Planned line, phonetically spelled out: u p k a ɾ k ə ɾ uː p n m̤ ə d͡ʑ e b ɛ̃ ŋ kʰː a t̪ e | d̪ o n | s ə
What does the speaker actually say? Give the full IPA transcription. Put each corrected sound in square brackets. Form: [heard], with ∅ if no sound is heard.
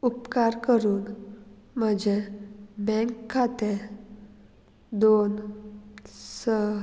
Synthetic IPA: u p k a ɾ k ə ɾ uː [∅] n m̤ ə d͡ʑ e b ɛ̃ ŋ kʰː a t̪ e | d̪ o n | s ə